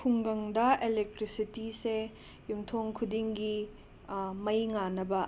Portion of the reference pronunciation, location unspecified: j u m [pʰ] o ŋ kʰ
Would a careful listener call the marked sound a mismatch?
yes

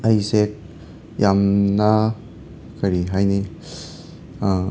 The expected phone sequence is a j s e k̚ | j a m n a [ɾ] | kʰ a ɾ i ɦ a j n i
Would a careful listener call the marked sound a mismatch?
yes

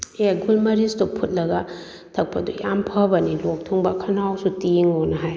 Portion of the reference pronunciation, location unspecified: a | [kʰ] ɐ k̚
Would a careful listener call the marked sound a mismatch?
yes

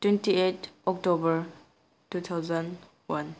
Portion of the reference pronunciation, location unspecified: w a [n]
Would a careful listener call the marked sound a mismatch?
no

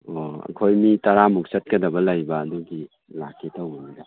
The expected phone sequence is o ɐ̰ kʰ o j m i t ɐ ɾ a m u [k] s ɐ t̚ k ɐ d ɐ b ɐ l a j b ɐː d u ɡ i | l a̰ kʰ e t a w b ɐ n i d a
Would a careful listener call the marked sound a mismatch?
no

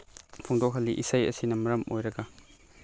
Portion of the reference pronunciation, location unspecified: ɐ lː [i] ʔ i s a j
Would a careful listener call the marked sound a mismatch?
no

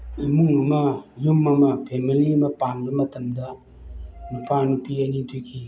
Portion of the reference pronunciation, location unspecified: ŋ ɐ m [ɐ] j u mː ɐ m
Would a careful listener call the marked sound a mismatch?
no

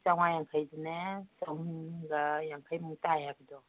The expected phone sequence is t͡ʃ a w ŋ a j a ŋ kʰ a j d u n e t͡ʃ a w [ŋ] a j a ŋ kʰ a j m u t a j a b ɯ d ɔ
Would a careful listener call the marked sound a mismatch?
yes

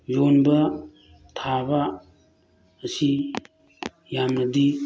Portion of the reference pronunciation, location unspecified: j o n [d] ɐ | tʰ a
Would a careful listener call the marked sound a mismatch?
yes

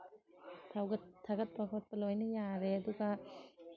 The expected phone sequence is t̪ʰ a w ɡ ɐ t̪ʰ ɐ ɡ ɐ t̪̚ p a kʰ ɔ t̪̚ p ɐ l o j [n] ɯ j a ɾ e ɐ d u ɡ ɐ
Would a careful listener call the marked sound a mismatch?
no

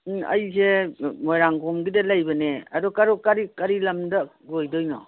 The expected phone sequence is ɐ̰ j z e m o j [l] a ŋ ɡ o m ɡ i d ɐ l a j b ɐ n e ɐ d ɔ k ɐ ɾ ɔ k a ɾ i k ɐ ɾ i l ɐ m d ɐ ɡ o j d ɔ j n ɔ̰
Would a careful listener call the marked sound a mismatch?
yes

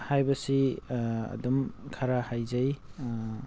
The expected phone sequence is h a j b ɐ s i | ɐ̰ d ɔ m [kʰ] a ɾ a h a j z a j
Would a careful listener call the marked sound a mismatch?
no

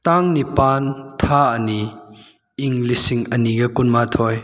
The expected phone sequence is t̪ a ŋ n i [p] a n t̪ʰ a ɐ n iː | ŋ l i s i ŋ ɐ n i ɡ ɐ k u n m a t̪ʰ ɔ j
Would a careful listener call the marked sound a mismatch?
no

